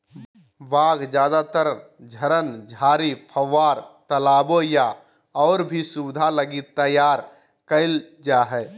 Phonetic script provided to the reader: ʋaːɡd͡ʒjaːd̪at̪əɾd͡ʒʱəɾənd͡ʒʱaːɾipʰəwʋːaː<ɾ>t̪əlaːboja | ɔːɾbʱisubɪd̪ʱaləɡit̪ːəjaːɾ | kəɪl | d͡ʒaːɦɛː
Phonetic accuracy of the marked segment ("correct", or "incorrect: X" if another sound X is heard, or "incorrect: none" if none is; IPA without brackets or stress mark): correct